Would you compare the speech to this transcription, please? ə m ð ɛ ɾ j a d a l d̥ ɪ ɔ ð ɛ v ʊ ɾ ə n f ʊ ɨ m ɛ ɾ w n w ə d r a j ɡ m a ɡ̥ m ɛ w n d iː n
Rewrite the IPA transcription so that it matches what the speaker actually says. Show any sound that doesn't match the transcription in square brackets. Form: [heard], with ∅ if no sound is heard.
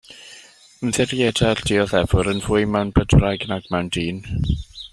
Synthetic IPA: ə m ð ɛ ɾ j [ɛ] d a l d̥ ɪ ɔ ð ɛ v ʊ ɾ ə n [v] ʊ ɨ m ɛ [∅] w n [b] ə d r a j ɡ [n] a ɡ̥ m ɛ w n d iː n

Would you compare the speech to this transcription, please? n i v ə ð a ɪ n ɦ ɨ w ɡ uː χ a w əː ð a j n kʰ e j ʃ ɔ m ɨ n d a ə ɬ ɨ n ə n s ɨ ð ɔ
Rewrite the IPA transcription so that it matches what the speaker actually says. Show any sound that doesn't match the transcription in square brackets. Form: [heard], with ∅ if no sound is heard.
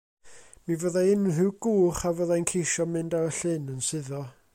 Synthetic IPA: [m] i v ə ð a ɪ n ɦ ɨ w ɡ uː χ a [v] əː ð a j n kʰ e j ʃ ɔ m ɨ n d a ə ɬ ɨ n ə n s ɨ ð ɔ

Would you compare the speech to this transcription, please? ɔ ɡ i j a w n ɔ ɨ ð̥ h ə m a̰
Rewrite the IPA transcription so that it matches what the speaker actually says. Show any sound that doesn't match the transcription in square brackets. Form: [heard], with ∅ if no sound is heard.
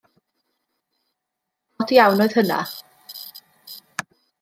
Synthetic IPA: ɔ [d] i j a w n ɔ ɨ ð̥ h ə [n] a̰

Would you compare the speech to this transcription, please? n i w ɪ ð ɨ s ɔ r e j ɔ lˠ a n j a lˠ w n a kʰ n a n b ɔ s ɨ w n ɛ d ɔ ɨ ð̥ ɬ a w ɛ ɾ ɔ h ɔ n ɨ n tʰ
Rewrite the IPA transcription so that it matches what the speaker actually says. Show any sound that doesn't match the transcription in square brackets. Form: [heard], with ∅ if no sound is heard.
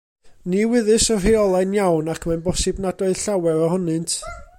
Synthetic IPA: n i w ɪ ð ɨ s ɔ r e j ɔ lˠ a n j a [∅] w n a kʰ [m] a n b ɔ s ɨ [b] n [a] d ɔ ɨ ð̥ ɬ a w ɛ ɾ ɔ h ɔ n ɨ n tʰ

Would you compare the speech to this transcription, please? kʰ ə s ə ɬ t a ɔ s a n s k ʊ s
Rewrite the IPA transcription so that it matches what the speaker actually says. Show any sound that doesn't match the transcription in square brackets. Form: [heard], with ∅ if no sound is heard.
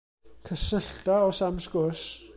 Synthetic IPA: kʰ ə s ə ɬ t a ɔ s a [m] s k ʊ s

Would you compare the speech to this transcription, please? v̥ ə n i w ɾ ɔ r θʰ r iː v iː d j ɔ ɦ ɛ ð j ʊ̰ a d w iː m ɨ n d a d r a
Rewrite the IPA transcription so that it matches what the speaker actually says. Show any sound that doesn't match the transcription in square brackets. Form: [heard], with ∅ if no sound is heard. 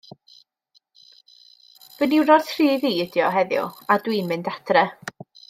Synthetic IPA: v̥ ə n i w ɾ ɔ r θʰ r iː v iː d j ɔ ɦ ɛ ð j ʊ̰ a d w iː m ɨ n d a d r [ɛ]

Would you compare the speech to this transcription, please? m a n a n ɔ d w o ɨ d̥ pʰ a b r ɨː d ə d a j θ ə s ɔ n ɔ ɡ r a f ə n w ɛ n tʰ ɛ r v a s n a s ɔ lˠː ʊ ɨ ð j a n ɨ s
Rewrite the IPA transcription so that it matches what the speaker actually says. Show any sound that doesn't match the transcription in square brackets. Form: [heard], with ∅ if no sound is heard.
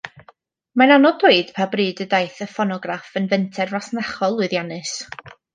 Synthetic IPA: m a n a n ɔ d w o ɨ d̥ pʰ a b r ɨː d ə d a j θ ə [f] ɔ n ɔ ɡ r a f ə n [v] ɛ n tʰ ɛ r v a s n a [χ] ɔ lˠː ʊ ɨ ð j a n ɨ s

